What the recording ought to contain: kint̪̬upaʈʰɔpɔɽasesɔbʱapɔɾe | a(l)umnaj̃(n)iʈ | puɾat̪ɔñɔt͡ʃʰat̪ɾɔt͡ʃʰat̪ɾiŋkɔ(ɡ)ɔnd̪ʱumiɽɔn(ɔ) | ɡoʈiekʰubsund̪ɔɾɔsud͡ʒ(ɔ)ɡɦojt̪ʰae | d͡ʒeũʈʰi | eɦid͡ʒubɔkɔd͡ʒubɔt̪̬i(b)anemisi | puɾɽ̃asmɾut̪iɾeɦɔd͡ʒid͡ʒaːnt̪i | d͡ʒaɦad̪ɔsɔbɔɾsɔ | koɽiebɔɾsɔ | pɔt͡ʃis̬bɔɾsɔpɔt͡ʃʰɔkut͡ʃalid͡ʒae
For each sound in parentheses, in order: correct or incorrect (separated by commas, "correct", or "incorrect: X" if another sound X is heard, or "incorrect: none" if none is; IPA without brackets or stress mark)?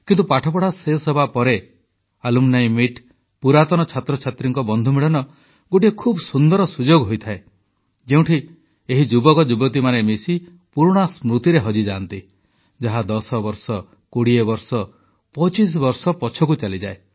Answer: correct, incorrect: m, incorrect: b, correct, incorrect: o, incorrect: m